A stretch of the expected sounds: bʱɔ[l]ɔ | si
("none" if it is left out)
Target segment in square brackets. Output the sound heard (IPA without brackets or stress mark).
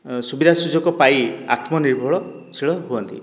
ɭ